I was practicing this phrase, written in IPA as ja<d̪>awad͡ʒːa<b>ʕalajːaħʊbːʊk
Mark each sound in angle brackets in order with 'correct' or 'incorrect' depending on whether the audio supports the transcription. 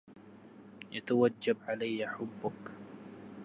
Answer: incorrect: t̪, correct

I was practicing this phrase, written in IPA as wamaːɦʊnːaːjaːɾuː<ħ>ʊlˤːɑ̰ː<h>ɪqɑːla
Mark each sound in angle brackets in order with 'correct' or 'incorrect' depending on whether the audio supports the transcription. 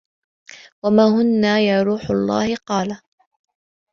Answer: correct, correct

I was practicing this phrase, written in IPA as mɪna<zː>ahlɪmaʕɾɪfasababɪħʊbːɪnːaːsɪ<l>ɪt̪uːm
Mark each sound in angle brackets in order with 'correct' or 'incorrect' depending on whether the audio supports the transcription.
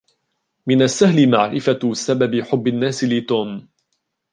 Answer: incorrect: sː, correct

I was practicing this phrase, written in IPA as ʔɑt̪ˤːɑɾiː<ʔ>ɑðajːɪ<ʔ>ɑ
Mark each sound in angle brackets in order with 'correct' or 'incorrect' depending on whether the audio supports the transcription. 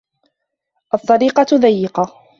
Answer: incorrect: q, incorrect: q

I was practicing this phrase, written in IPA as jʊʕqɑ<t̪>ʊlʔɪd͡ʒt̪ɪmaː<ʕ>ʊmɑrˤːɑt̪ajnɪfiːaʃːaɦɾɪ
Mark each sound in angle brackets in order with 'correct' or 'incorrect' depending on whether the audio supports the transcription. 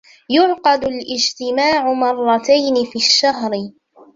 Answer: incorrect: d̪, correct

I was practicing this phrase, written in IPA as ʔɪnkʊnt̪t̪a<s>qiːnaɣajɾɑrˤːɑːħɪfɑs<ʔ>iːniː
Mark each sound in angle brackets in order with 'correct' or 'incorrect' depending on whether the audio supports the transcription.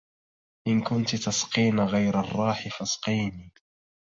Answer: correct, incorrect: q

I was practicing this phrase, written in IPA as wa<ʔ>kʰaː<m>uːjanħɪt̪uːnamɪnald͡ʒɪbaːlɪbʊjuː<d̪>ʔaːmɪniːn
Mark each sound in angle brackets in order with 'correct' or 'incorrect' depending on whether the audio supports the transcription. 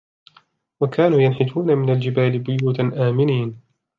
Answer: incorrect: none, incorrect: n, incorrect: t̪

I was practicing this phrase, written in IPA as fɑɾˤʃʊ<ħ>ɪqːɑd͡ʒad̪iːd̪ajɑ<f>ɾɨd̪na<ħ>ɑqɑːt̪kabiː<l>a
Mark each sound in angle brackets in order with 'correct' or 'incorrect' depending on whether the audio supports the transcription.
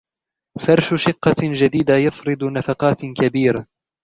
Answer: incorrect: ʃ, correct, incorrect: f, incorrect: ɾ

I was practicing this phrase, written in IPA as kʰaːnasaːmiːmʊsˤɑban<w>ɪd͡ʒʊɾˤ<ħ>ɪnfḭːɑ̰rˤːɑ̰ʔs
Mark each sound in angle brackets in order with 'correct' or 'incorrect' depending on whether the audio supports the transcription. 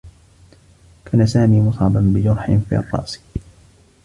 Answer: incorrect: b, correct

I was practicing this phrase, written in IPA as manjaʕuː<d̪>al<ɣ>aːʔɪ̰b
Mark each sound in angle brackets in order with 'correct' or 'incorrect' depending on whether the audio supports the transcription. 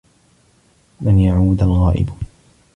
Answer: correct, correct

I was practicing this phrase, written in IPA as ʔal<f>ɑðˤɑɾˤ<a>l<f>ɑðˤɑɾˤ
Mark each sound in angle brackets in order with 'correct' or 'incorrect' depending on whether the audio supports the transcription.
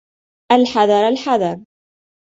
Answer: incorrect: ħ, correct, incorrect: ħ

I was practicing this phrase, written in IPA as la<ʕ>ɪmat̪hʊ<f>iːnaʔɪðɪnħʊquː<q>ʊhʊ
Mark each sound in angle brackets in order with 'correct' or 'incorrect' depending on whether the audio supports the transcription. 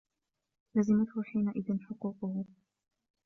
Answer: incorrect: z, incorrect: ħ, correct

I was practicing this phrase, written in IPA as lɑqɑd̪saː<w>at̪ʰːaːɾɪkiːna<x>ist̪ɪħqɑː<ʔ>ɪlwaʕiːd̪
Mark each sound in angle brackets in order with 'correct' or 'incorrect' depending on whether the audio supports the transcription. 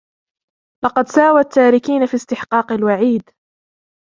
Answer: correct, incorrect: f, incorrect: q

